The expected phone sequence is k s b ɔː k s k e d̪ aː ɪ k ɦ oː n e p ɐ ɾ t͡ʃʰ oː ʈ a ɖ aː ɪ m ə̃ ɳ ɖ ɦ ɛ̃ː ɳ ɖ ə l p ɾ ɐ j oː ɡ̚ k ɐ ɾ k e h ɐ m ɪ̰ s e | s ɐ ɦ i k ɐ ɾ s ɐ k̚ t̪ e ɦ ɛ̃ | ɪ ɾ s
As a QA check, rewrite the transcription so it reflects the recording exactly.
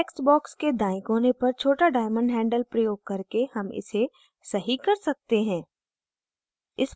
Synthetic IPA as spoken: k s b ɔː k s k e d̪ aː ɪ k ɦ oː n e p ɐ ɾ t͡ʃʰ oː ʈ a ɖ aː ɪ m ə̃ ɳ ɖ ɦ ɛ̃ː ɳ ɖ ə l p ɾ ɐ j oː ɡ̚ k ɐ ɾ k e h ɐ m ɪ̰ s e | s ɐ ɦ i k ɐ ɾ s ɐ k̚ t̪ e ɦ ɛ̃ː | ɪ s